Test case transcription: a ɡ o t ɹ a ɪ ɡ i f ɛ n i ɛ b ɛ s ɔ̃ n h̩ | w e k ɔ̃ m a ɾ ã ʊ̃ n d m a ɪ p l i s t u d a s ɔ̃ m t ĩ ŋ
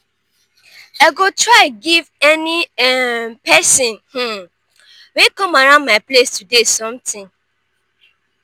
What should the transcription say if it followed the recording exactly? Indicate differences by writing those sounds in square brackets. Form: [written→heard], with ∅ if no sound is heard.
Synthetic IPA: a ɡ o t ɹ a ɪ ɡ i [f→v] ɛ n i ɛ [b→p] ɛ s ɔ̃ n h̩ | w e k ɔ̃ m a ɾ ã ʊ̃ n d m a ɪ p l [i→e] s t u d [a→e] s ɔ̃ m t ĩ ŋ